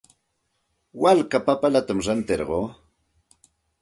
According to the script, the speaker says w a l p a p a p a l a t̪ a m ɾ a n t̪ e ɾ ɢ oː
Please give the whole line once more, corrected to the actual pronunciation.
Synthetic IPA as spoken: w a l k a p a p a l a t̪ a m ɾ a n t̪ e ɾ ɢ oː